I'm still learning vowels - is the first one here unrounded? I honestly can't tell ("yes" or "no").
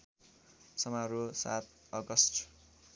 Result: yes